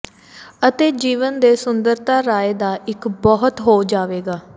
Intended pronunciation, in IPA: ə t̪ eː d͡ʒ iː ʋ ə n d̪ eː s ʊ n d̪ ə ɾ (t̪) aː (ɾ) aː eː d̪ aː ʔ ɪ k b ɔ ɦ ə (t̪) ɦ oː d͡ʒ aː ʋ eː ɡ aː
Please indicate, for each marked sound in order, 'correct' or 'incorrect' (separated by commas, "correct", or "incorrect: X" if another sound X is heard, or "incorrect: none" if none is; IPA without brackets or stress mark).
correct, correct, correct